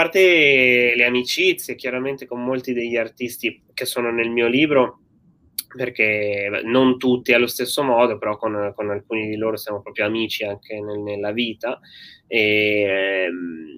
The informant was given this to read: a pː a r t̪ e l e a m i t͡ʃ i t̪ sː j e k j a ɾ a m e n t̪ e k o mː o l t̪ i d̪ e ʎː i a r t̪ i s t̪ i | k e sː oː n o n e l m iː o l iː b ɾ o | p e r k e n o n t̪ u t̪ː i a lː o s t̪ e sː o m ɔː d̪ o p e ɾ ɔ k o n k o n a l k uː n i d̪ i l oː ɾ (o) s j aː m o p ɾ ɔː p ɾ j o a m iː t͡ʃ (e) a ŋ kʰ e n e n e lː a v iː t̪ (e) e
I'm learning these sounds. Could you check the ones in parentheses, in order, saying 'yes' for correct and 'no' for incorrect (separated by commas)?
yes, no, no